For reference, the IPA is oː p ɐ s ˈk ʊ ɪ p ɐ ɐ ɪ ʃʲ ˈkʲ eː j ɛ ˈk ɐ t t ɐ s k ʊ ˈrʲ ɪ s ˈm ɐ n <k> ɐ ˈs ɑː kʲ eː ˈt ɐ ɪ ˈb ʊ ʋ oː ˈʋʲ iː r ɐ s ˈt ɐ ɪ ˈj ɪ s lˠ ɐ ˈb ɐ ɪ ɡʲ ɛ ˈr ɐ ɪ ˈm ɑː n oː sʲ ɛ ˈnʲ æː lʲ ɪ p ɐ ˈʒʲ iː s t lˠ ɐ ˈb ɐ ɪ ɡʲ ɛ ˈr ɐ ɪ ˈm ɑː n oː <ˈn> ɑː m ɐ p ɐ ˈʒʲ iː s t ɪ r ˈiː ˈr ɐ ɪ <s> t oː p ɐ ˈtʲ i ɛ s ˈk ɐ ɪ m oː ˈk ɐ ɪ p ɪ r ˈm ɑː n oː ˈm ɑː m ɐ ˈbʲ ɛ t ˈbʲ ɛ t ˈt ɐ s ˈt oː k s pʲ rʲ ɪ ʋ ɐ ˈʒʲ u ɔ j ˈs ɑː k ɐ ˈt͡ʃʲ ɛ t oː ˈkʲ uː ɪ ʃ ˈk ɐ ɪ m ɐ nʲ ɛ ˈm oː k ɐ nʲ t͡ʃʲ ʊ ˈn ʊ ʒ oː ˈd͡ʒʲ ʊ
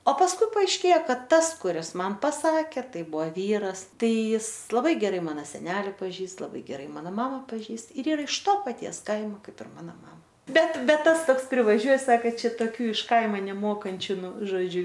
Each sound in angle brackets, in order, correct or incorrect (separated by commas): incorrect, incorrect, incorrect